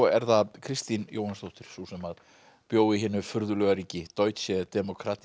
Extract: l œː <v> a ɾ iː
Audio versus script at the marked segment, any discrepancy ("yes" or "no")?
yes